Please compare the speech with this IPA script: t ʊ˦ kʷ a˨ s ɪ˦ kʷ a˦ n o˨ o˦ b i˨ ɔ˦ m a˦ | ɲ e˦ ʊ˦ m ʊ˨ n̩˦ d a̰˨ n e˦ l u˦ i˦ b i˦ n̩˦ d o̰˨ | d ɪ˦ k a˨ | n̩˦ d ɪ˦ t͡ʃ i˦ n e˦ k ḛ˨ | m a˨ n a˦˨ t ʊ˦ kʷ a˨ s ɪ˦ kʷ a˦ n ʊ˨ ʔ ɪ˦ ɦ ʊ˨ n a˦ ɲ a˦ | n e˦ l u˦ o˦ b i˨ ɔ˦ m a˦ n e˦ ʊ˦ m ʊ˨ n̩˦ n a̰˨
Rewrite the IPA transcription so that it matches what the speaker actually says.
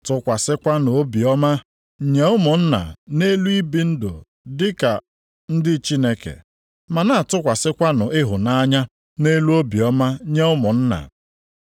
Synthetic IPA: t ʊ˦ kʷ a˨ s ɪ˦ kʷ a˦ n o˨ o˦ b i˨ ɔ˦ m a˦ | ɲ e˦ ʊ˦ m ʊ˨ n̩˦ n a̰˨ n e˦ l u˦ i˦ b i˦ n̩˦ d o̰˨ | d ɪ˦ k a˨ | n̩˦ d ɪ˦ t͡ʃ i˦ n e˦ k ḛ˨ | m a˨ n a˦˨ t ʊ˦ kʷ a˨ s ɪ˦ kʷ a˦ n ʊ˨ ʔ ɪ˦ ɦ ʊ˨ n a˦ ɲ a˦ | n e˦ l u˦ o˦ b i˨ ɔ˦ m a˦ ɲ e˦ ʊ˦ m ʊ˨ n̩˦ n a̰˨